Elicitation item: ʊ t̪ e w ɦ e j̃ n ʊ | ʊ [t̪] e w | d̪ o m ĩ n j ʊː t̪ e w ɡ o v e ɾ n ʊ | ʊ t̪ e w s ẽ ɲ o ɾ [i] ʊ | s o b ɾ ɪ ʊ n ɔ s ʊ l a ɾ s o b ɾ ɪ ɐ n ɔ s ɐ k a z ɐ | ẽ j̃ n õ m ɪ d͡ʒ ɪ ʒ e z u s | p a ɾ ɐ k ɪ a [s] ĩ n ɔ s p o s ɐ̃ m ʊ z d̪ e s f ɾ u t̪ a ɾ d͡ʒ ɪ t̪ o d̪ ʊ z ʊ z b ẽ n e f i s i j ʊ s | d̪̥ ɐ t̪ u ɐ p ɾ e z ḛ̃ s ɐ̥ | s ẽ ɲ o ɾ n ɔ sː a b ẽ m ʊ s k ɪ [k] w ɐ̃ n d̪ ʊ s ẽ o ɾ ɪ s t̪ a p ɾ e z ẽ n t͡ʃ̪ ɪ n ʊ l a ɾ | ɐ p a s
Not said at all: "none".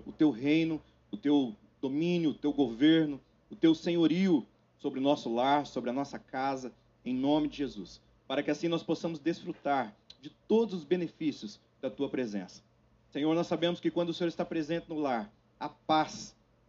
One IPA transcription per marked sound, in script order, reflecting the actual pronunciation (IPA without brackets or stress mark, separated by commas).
t̪, i, s, k